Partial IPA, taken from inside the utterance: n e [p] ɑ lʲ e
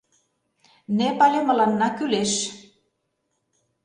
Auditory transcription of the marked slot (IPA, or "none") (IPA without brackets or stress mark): p